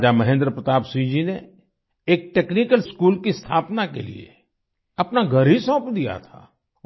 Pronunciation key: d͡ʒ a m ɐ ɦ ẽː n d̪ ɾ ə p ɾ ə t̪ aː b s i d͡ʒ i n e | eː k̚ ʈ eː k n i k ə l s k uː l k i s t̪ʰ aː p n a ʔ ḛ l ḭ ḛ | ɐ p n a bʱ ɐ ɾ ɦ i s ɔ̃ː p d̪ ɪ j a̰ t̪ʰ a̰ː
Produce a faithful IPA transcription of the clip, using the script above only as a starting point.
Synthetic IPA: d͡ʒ a m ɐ ɦ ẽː n d̪ ɾ ə p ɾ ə t̪ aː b s i d͡ʒ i n e | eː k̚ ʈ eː k n i k ə l s k uː l k i s t̪ʰ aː p n a k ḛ l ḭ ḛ | ɐ p n a ɡʱ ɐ ɾ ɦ i s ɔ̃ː p d̪ i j a̰ t̪ʰ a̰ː